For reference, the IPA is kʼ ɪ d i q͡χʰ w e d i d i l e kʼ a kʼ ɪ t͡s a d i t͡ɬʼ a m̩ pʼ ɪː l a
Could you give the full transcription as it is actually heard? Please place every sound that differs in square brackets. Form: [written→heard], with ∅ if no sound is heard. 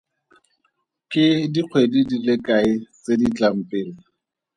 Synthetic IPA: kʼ ɪ d i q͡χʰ w e d i d i l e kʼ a [kʼ→∅] ɪ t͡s [a→e] d i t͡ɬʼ a m̩ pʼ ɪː l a